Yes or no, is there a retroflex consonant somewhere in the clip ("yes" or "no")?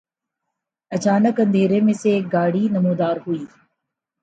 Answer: yes